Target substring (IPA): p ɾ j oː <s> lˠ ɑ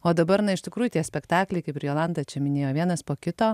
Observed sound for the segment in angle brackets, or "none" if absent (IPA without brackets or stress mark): none